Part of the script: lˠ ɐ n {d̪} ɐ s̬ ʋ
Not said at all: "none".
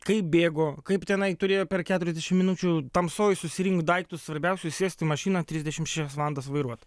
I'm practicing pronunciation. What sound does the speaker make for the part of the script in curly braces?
d̪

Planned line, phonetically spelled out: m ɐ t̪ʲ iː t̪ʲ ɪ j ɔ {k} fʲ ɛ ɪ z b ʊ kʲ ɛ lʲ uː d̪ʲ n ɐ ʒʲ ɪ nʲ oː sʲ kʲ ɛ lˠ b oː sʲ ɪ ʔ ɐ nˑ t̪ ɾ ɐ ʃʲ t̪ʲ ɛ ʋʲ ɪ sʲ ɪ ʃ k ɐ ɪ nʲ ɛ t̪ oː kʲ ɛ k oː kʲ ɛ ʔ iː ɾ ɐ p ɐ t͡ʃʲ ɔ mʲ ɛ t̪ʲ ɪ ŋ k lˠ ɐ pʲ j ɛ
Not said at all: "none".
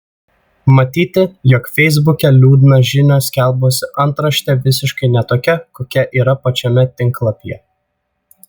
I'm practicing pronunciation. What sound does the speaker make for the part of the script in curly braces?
k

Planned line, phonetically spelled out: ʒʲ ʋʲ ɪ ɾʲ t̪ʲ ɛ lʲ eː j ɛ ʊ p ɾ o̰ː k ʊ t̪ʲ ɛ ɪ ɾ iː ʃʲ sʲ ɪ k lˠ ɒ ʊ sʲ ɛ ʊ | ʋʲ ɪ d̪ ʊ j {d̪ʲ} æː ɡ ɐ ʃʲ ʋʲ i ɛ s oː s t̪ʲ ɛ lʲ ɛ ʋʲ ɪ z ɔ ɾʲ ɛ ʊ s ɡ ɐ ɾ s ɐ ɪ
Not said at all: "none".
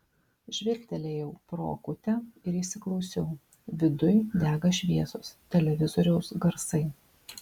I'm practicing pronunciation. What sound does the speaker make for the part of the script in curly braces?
d̪ʲ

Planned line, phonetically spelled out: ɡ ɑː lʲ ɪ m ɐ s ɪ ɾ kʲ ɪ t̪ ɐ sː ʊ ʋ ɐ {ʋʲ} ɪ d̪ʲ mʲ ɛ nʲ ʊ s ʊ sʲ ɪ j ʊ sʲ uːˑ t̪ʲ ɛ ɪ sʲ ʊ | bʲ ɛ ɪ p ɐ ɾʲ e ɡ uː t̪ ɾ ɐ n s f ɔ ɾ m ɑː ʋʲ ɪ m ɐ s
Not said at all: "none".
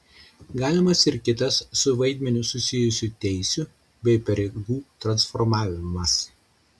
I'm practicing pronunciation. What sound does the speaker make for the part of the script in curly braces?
none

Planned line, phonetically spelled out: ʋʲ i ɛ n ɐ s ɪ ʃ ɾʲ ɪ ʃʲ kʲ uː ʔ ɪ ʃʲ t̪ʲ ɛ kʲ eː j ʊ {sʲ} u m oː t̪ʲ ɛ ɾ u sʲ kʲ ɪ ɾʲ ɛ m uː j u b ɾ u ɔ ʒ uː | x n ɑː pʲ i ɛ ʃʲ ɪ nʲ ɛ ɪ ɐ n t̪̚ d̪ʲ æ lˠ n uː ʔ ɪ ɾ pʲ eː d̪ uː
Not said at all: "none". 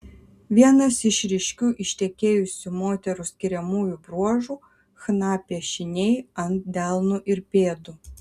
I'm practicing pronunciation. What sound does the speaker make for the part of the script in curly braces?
sʲ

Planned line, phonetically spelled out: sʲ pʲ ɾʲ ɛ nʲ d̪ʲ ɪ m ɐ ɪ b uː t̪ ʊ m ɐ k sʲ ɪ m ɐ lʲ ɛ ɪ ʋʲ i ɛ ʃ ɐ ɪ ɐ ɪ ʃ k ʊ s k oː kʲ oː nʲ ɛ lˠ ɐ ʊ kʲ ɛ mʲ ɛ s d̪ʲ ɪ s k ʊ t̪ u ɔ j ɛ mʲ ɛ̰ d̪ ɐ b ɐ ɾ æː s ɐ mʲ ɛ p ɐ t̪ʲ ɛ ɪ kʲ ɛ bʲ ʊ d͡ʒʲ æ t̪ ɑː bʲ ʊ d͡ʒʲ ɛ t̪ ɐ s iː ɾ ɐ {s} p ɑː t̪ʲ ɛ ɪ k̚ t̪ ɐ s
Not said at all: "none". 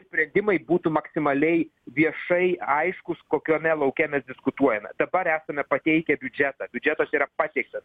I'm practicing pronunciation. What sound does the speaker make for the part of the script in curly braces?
none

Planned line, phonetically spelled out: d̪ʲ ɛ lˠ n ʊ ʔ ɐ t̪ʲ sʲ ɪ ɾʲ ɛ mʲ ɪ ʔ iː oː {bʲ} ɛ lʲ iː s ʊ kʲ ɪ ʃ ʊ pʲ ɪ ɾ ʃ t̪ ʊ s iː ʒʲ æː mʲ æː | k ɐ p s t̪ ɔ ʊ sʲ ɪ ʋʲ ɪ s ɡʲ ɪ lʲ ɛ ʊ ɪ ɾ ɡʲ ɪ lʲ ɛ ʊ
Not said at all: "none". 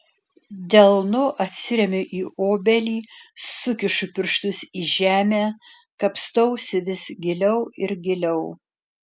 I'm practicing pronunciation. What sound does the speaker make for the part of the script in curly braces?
bʲ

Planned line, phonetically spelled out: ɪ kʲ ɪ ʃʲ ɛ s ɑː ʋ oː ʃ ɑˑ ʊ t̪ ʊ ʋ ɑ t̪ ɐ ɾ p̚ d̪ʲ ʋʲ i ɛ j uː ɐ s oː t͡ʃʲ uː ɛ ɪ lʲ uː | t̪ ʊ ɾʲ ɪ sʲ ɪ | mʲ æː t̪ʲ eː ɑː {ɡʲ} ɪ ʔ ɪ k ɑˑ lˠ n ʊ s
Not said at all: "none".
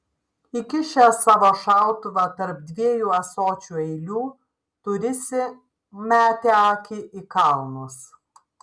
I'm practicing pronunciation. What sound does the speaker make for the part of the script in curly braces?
kʲ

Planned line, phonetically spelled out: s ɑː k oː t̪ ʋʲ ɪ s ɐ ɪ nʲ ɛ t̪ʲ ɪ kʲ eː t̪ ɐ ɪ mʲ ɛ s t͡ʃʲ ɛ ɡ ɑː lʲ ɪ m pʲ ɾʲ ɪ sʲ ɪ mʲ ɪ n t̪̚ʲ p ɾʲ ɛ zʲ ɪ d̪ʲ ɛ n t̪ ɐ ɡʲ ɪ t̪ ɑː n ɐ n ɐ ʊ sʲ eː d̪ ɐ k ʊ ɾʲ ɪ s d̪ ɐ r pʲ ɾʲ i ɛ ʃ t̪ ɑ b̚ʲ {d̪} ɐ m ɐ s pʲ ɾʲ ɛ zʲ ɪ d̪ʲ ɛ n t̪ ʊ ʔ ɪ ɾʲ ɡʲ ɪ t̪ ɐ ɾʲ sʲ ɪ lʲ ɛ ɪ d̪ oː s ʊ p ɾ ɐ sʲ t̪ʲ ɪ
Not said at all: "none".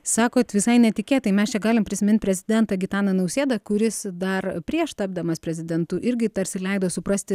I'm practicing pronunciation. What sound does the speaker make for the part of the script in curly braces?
d̪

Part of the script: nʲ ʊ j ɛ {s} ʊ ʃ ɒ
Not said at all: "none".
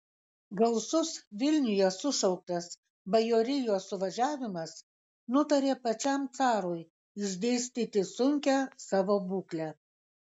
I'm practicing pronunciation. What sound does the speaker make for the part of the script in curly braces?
s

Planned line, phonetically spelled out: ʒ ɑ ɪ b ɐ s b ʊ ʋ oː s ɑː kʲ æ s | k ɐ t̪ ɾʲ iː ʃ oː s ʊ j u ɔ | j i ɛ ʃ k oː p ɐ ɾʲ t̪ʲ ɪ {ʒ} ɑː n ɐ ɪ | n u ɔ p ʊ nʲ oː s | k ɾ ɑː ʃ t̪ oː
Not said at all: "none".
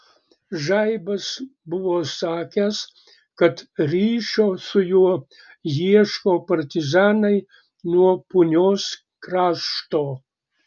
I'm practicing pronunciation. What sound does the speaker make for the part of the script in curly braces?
z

